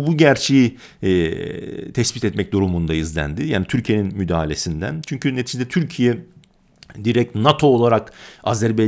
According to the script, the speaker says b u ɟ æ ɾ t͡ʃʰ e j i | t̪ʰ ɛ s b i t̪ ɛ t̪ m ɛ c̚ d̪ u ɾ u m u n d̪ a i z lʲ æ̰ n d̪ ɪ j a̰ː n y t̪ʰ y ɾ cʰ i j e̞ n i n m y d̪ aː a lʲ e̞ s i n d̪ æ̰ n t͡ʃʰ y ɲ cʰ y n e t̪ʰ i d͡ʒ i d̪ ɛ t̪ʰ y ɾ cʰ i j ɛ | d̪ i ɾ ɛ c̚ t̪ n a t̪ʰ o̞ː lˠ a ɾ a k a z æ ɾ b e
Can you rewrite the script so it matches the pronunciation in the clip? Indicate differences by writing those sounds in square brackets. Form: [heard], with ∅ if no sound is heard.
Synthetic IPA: b u ɟ æ ɾ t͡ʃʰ e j i | t̪ʰ ɛ s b i t̪ ɛ t̪ m ɛ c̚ d̪ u ɾ u m u n d̪ a i z lʲ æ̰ n d̪ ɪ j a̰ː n [i] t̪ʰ y ɾ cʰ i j e̞ n i n m y d̪ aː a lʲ e̞ s i n d̪ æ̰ n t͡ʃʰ y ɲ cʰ y n e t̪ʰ i d͡ʒ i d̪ ɛ t̪ʰ y ɾ cʰ i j ɛ | d̪ i ɾ ɛ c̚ t̪ n a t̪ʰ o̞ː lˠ a ɾ a k a z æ ɾ b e

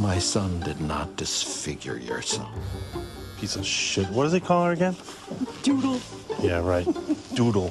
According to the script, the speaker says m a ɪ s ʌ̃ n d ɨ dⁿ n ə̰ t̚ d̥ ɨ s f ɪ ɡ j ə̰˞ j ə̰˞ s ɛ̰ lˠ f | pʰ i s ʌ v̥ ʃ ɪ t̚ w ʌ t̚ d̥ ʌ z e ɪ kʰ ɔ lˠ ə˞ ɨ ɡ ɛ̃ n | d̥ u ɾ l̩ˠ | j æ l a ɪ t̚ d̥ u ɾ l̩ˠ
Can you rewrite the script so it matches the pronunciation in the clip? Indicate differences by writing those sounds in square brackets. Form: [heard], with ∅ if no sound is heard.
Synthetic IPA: m a ɪ s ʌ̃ n d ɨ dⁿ n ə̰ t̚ d̥ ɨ s f ɪ ɡ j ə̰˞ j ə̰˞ s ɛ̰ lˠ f | pʰ i s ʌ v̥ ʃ ɪ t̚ w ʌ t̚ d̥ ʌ z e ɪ kʰ ɔ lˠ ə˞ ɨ ɡ ɛ̃ n | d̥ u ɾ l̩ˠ | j æ [ɹ] a ɪ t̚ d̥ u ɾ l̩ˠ

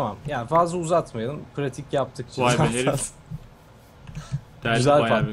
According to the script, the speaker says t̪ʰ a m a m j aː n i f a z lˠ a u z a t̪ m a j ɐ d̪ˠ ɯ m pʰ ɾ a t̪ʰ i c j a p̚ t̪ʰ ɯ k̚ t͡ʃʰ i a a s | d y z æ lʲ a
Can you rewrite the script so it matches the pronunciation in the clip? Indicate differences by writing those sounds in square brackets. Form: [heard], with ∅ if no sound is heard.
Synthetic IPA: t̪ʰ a m a m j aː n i f a z lˠ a u z a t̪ m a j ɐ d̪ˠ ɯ m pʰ ɾ a t̪ʰ i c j a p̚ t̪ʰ ɯ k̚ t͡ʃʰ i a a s | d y z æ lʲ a

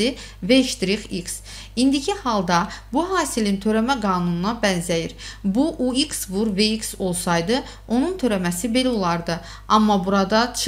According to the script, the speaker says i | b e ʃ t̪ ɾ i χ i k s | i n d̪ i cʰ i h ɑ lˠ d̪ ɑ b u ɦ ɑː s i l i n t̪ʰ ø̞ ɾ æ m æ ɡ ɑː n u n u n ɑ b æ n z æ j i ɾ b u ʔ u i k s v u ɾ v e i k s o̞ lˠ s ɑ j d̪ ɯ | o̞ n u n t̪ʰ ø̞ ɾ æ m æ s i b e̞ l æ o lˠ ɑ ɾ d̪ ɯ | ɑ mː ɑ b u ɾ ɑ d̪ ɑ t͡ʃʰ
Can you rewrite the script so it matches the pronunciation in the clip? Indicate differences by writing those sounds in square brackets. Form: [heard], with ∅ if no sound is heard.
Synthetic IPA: i | [v] e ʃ t̪ ɾ i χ i k s | i n d̪ i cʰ i h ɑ lˠ d̪ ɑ b u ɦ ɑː s i l i n t̪ʰ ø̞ ɾ æ m æ ɡ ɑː n u n u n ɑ b æ n z æ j i ɾ b u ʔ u i k s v u ɾ v e i k s o̞ lˠ s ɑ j d̪ ɯ | o̞ n u n t̪ʰ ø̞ ɾ æ m æ s i b e̞ l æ o lˠ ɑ ɾ d̪ ɯ | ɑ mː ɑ b u ɾ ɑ d̪ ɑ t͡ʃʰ

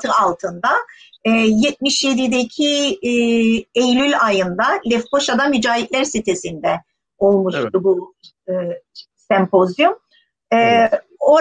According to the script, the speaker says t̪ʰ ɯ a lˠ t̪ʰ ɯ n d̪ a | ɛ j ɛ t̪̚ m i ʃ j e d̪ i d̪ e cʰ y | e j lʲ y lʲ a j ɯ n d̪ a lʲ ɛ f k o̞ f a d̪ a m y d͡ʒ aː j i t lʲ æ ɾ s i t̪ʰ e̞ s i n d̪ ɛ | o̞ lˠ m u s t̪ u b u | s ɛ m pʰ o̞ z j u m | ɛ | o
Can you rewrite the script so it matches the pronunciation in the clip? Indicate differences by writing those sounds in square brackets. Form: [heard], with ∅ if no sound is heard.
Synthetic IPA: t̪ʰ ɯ a lˠ t̪ʰ ɯ n d̪ a | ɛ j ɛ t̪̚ m i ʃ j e d̪ i d̪ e cʰ [i] | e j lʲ y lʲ a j ɯ n d̪ a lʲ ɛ f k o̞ [ʃ] a d̪ a m y d͡ʒ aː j i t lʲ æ ɾ s i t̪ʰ e̞ s i n d̪ ɛ | o̞ lˠ m u [ʃ] t̪ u b u | s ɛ m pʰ o̞ z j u m | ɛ | o

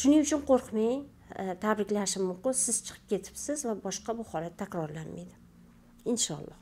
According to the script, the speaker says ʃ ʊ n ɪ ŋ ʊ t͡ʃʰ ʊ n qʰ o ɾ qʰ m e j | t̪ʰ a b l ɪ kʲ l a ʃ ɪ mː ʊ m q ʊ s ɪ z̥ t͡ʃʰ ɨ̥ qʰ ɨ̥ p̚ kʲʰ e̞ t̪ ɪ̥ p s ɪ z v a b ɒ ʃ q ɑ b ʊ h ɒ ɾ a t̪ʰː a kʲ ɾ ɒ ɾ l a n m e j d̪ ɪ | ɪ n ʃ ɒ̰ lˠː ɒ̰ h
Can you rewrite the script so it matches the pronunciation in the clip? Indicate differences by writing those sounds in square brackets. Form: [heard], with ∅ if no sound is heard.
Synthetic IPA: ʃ ʊ n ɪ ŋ ʊ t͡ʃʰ ʊ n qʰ o ɾ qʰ m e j | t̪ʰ a b [ɾ] ɪ kʲ l a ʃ ɪ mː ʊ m q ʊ s ɪ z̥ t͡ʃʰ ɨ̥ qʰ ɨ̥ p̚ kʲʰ e̞ [t̪ʰ] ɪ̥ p s ɪ z v a b ɒ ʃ q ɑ b ʊ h ɒ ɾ a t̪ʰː a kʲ ɾ ɒ ɾ l a n m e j d̪ ɪ | ɪ n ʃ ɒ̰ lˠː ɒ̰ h

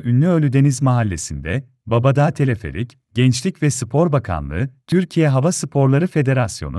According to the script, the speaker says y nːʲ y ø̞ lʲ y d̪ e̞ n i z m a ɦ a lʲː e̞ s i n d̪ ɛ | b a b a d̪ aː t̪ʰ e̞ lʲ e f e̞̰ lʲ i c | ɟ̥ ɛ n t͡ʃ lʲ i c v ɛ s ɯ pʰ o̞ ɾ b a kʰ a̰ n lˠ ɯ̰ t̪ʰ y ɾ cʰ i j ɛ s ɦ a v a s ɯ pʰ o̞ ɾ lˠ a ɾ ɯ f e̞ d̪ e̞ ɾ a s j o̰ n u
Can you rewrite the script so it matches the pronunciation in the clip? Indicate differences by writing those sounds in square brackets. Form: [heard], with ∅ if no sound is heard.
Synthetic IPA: y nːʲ y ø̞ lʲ y d̪ e̞ n i z m a ɦ a lʲː e̞ s i n d̪ ɛ | b a b a d̪ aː t̪ʰ e̞ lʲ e f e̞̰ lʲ i c | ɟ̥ ɛ n t͡ʃ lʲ i c v ɛ s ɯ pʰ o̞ ɾ b a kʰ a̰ n lˠ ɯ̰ t̪ʰ y ɾ cʰ i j ɛ [∅] ɦ a v a s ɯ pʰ o̞ ɾ lˠ a ɾ ɯ f e̞ d̪ e̞ ɾ a s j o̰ n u

